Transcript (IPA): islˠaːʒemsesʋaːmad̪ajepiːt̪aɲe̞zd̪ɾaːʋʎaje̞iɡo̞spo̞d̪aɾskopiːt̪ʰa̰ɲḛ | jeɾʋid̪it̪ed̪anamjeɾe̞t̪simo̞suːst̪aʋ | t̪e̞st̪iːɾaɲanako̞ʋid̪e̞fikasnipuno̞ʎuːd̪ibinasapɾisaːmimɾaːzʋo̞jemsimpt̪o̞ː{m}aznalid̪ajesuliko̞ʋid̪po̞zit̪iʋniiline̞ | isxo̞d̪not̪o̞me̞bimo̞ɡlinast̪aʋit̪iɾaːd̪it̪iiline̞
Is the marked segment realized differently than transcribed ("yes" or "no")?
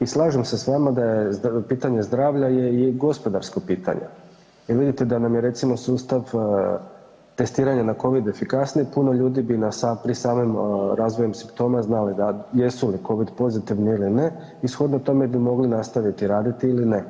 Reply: no